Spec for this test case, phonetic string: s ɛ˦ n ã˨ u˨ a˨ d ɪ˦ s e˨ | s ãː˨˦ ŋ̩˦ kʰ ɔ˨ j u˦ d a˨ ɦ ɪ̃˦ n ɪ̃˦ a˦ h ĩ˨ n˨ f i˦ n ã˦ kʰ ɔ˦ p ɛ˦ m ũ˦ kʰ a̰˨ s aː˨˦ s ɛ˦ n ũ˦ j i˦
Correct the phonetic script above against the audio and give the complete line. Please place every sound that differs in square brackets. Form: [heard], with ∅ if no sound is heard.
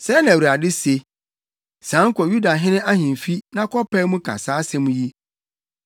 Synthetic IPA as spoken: s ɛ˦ n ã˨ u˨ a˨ d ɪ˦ s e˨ | s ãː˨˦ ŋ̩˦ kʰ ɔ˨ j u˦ d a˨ ɦ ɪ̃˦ n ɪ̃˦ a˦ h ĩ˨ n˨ f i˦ n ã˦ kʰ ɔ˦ p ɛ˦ m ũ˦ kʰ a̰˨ s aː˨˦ s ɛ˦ [m] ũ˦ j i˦